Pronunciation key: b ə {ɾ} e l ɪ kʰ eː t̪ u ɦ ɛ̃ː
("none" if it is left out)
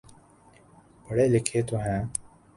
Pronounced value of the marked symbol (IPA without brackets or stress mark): ɽ